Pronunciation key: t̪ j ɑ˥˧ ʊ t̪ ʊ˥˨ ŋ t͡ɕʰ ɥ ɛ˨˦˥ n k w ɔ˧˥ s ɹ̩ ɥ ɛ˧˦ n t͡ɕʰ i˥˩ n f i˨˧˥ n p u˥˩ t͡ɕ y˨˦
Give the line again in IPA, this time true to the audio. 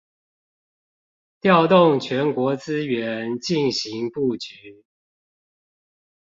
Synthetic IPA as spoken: t̪ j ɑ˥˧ ʊ t̪ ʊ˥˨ ŋ t͡ɕʰ ɥ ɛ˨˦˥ n k w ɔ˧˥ t͡s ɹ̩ ɥ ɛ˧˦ n t͡ɕ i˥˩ n ɕ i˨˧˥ ŋ p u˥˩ t͡ɕ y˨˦